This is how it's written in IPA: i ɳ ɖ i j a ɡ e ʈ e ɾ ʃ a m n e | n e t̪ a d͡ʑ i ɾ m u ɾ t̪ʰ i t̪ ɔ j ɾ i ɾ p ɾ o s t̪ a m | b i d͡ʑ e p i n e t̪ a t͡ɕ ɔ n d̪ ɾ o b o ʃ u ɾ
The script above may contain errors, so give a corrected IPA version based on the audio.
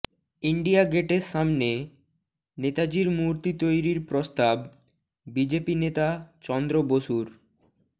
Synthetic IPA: i ɳ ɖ i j a ɡ e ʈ e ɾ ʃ a m n e | n e t̪ a d͡ʑ i ɾ m u ɾ t̪ i t̪ o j ɾ i ɾ p ɾ o s t̪ a b | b i d͡ʑ e p i n e t̪ a t͡ɕ ɔ n d̪ ɾ o b o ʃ u ɾ